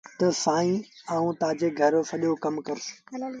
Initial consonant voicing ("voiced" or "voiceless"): voiceless